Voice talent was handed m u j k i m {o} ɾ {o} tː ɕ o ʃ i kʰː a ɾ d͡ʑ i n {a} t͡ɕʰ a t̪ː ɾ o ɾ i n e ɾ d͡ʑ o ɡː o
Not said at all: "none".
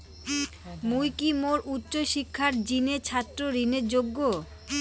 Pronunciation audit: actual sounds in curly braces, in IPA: o, u, e

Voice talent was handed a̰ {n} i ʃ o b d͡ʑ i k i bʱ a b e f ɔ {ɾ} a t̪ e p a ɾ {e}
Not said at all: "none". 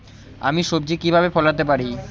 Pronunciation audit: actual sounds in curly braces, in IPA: m, l, i

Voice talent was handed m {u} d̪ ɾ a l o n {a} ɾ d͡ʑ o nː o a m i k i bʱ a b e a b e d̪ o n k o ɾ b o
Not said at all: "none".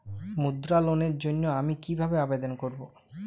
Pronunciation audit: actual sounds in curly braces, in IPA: u, e

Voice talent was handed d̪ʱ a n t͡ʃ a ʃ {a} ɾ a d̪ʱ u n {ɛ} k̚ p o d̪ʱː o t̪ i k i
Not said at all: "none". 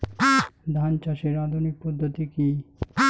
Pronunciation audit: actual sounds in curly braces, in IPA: e, i

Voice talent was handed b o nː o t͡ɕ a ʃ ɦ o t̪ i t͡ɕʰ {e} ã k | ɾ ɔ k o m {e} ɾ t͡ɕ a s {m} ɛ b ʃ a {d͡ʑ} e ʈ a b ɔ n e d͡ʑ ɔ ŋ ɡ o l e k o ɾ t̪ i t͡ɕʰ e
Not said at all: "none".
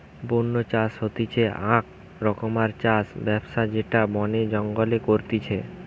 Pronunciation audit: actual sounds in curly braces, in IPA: e, a, b, d͡ʑ

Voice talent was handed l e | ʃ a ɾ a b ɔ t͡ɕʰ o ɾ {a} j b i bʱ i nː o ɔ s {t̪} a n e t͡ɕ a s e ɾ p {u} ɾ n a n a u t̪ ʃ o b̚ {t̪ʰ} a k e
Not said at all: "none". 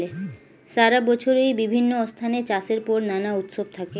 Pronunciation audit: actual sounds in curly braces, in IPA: e, t̪ʰ, ɔ, t̪ʰ

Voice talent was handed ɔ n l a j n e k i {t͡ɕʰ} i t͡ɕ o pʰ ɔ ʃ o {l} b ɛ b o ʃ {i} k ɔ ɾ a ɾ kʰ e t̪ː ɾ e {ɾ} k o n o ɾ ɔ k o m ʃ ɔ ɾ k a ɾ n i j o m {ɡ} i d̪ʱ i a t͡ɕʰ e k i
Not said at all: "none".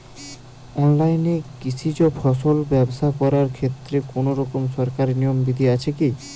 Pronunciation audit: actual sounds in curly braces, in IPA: t͡ɕʰ, l, a, none, b

